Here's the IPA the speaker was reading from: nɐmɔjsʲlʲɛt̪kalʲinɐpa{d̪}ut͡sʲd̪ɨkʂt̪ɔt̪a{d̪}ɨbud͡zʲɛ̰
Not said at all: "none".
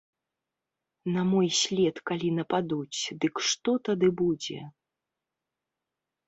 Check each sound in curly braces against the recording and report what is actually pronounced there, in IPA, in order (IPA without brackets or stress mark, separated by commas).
d̪, d̪